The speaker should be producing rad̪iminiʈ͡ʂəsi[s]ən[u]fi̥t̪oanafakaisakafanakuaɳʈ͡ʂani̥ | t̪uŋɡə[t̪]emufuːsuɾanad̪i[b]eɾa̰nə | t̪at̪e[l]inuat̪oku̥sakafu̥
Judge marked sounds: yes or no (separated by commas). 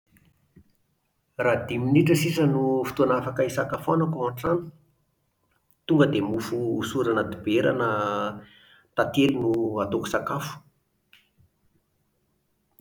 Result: yes, yes, no, yes, yes